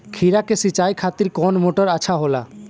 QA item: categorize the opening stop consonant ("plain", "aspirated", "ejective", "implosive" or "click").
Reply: aspirated